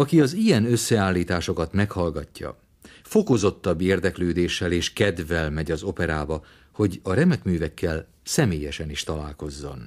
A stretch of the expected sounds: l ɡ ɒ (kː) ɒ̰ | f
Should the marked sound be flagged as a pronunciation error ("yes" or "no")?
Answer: yes